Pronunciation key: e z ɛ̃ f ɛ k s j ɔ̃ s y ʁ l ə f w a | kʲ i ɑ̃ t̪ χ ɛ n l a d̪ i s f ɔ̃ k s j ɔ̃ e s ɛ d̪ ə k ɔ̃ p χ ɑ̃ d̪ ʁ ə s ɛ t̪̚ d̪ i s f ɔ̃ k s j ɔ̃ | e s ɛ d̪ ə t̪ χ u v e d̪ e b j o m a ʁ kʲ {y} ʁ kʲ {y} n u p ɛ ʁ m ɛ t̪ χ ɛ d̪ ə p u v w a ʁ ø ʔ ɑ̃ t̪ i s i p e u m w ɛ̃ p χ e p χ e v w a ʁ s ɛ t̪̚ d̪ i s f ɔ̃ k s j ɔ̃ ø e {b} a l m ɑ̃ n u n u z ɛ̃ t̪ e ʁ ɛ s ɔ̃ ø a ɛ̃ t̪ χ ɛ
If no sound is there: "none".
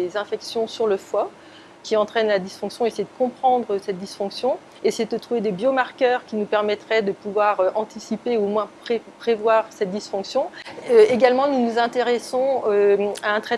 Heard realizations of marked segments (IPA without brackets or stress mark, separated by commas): œ, i, ɡ